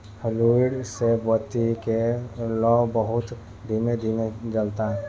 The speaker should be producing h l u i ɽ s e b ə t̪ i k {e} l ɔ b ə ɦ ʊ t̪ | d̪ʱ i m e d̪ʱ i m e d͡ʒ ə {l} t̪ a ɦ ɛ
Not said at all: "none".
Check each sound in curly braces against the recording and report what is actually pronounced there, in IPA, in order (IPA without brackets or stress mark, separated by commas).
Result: e, l